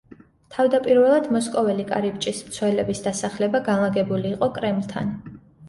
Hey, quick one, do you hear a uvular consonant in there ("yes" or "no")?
yes